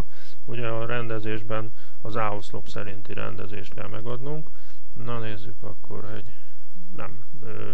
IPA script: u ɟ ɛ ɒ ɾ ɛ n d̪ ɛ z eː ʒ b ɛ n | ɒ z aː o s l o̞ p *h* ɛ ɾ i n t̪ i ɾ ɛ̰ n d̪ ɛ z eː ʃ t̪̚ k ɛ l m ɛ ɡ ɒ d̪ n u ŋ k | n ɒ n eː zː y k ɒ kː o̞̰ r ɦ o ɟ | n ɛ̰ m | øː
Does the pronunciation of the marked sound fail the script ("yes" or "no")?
yes